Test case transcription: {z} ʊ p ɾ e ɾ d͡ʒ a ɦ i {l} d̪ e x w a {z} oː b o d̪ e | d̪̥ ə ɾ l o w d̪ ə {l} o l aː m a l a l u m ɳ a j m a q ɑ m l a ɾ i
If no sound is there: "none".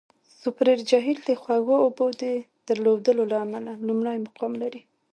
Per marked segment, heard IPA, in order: s, l, ɣ, l

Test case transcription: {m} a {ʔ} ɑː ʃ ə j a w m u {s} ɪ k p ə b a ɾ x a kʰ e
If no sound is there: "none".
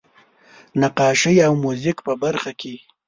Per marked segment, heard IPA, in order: n, q, z

